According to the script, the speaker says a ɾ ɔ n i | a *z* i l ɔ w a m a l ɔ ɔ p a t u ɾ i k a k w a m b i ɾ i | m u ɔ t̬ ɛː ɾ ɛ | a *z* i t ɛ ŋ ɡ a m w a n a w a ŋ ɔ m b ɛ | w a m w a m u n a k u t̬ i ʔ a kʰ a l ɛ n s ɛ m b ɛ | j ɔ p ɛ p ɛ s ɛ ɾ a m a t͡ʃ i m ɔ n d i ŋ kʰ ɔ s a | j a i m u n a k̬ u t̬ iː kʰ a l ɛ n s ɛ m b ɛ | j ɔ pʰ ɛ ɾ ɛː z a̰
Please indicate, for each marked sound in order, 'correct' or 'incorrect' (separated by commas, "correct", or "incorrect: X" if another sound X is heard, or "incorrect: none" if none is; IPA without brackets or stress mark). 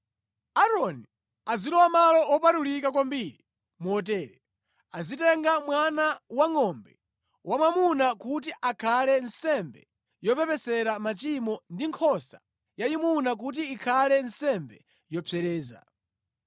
correct, correct